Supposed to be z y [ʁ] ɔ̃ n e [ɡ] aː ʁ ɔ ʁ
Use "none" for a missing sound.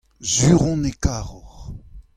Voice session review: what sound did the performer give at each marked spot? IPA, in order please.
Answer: ʁ, k

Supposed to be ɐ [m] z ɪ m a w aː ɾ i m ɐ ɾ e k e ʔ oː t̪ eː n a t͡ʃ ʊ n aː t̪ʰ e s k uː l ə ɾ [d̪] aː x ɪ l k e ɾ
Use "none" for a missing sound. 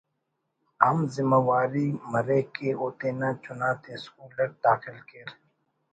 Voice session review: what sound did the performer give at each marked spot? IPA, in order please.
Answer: m, d̪

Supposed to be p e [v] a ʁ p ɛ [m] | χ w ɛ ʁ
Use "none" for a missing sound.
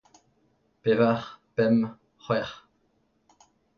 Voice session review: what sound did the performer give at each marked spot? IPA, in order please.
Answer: v, m

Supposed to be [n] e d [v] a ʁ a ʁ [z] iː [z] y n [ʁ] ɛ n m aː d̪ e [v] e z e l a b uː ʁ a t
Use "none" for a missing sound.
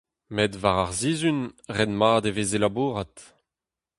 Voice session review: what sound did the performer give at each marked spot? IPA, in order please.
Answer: m, v, z, z, ʁ, v

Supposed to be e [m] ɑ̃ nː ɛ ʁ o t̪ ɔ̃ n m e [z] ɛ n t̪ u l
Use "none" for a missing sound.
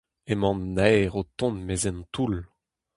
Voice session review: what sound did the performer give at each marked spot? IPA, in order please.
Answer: m, z

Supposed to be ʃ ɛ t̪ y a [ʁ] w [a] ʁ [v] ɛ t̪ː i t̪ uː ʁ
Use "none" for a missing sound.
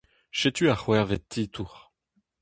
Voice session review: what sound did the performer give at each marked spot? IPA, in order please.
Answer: χ, ɛ, v

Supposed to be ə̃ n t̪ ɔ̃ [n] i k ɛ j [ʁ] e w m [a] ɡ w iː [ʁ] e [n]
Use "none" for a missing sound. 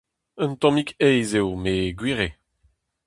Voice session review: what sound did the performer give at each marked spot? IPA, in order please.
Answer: m, z, e, ʁ, none

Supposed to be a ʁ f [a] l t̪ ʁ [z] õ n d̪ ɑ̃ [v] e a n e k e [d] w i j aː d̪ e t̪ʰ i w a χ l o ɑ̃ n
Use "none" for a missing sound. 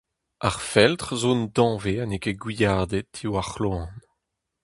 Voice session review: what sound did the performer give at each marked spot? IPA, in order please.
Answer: ɛ, z, v, ɡ

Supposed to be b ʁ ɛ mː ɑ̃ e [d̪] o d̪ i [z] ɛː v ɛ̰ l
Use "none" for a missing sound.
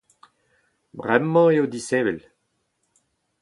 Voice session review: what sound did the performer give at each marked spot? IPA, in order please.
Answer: none, s

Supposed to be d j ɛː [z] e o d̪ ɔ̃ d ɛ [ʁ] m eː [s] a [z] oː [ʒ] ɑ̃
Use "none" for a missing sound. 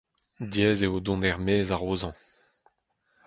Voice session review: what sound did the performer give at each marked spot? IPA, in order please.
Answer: z, ʁ, z, ʁ, z

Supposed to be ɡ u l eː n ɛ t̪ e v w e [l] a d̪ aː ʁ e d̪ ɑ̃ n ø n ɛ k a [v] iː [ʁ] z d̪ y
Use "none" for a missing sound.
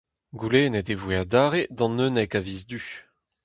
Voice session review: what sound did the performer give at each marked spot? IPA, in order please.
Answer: none, v, none

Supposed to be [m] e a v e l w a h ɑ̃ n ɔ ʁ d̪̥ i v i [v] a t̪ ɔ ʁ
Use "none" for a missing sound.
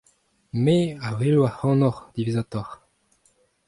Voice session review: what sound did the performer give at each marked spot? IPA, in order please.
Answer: m, z

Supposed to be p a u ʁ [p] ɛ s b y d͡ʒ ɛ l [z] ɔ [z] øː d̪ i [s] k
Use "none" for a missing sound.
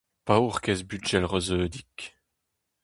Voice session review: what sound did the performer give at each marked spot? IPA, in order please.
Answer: k, ʁ, z, none

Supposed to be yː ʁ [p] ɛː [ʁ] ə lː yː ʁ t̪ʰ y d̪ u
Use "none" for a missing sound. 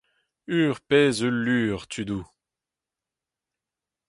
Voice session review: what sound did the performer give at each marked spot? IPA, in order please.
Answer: p, z

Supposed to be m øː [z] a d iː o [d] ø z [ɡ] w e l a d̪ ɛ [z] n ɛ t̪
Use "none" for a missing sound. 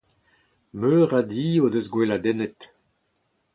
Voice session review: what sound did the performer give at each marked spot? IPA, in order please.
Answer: ʁ, d, ɡ, none

